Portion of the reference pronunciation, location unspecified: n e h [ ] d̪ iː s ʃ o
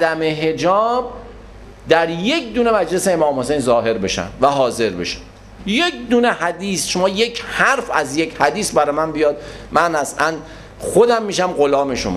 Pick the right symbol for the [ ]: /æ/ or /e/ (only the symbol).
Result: æ